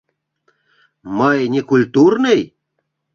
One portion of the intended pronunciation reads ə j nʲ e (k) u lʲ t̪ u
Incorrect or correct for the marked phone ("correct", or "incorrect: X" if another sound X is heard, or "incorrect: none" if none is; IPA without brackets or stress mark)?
correct